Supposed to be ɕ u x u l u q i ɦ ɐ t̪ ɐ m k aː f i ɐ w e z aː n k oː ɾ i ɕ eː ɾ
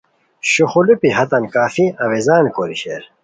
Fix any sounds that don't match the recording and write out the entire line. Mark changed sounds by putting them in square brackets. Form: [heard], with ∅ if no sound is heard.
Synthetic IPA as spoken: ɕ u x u l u [p] i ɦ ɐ t̪ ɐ [n] k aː f i ɐ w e z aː n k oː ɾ i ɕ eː ɾ